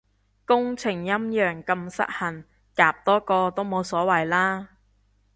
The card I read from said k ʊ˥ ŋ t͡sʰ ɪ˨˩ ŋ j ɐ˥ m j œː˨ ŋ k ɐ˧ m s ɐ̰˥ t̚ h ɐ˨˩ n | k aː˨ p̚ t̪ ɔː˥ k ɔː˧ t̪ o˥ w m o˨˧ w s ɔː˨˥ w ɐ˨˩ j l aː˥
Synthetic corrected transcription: k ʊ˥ ŋ t͡sʰ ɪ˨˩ ŋ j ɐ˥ m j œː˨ ŋ k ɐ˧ m s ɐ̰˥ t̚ h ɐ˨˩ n | k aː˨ p̚ t̪ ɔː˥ k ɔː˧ t̪ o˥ w m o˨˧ w s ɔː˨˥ w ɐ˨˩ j l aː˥